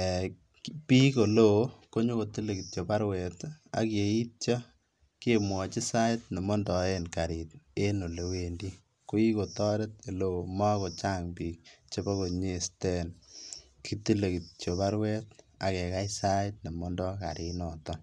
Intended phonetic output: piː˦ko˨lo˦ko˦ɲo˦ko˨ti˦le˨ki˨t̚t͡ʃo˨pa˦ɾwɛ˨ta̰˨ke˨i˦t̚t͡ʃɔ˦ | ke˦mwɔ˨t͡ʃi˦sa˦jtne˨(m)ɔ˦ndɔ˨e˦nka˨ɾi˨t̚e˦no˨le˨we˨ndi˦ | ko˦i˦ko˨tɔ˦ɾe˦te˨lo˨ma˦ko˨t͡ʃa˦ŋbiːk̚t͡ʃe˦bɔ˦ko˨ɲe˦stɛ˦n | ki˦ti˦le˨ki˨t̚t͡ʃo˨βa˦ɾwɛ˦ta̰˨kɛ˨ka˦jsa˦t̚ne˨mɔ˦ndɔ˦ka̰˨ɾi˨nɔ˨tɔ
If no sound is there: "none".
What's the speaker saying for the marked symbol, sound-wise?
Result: m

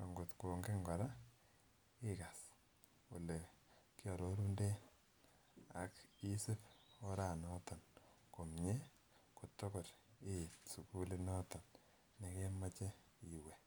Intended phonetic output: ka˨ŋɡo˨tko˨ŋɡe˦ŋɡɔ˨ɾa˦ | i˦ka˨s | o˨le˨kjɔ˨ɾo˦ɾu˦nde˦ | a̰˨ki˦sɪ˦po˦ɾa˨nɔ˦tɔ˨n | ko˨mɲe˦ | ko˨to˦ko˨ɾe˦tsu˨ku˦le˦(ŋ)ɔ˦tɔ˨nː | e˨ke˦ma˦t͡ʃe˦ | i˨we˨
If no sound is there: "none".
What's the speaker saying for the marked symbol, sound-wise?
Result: n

